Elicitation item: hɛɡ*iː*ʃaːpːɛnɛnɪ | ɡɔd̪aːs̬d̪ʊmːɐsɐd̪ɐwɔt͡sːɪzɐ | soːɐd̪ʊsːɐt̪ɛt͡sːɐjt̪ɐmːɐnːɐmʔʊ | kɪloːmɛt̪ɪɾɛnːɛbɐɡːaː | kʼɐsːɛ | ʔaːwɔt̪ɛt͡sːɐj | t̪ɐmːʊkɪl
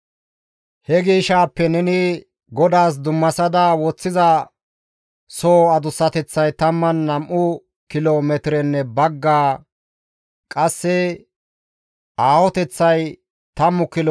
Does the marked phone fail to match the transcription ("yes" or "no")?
no